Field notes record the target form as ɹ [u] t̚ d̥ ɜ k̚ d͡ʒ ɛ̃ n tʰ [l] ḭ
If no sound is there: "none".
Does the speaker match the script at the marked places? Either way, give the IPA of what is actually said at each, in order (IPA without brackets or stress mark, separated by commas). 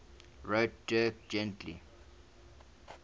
o, l